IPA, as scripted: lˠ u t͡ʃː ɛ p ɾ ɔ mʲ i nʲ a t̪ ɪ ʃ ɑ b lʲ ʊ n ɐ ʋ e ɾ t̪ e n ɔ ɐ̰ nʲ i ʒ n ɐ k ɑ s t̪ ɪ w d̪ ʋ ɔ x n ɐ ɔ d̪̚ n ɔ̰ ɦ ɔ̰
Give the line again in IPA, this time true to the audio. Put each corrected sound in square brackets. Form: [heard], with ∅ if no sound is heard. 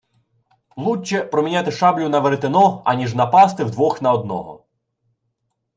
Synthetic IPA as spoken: lˠ u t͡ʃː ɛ p ɾ ɔ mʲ i nʲ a t̪ ɪ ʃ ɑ b lʲ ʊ n ɐ ʋ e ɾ t̪ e n ɔ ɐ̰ nʲ i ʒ n ɐ [p] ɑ s t̪ ɪ w d̪ ʋ ɔ x n ɐ ɔ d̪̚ n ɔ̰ ɦ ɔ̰